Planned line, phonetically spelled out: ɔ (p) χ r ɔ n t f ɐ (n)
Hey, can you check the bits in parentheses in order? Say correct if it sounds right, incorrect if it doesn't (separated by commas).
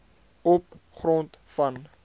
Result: correct, correct